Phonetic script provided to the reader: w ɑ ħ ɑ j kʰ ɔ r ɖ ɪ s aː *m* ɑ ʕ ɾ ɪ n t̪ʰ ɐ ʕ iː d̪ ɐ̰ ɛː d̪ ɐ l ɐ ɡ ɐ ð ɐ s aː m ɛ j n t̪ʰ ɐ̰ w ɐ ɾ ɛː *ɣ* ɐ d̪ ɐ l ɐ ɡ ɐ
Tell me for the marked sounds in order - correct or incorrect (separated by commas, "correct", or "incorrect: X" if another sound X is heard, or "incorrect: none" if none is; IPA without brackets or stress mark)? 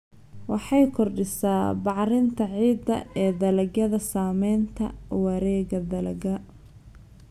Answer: incorrect: b, correct